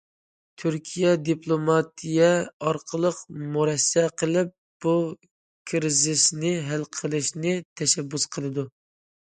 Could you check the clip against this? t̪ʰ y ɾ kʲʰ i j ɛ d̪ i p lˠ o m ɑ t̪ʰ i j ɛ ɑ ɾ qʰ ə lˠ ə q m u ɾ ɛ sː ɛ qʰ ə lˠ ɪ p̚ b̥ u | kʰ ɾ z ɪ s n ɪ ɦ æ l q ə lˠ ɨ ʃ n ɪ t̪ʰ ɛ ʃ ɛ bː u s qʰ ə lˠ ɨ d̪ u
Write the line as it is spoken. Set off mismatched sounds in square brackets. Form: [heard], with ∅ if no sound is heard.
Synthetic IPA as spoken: t̪ʰ y ɾ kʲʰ i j ɛ d̪ i p lˠ o m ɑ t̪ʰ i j ɛ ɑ ɾ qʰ ə lˠ ə q m u ɾ ɛ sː ɛ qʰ ə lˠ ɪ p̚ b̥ u | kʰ ɾ z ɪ s n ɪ ɦ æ l [qʰ] ə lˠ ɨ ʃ n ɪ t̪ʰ ɛ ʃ ɛ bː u s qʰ ə lˠ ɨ d̪ u